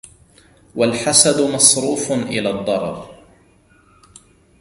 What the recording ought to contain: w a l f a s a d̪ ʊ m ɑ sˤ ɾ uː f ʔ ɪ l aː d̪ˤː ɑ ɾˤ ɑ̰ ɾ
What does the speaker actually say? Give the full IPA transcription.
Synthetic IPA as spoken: w a l ħ a s a d̪ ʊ m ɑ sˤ ɾ uː f ʔ ɪ l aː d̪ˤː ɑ ɾˤ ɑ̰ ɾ